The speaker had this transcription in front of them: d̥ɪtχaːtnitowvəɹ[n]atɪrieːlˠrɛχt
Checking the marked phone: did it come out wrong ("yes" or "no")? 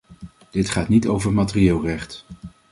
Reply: yes